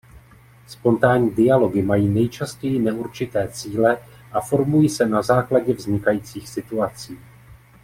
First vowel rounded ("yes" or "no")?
yes